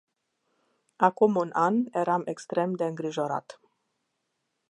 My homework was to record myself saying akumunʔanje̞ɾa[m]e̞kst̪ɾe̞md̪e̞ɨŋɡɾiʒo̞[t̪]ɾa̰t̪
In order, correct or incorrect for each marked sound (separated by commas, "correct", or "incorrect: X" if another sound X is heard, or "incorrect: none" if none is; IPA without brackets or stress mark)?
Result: correct, incorrect: none